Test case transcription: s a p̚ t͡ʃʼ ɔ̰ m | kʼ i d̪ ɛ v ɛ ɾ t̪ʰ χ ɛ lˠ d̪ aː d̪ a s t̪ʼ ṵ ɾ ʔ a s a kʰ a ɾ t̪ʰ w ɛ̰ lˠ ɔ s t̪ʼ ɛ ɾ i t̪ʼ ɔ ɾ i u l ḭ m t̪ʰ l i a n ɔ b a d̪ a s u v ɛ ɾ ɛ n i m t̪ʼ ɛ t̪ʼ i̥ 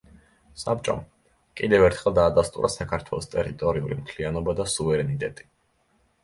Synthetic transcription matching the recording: s a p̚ t͡ʃʼ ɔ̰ m | kʼ i d̪ ɛ v ɛ ɾ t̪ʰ χ ɛ lˠ d̪ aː d̪ a s t̪ʼ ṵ ɾ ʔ a s a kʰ a ɾ t̪ʰ w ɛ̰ lˠ ɔ s t̪ʼ ɛ ɾ i t̪ʼ ɔ ɾ i u l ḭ m t̪ʰ l i a n ɔ b a d̪ a s u v ɛ ɾ ɛ n i t̪ʼ ɛ t̪ʼ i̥